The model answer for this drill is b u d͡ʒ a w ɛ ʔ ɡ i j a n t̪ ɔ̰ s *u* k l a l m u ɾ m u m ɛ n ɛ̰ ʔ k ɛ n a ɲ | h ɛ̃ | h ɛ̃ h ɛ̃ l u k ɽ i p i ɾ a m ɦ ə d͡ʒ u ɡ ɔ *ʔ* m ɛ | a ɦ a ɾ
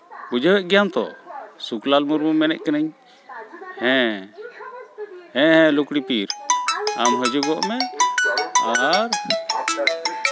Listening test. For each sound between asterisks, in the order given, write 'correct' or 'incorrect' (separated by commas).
correct, correct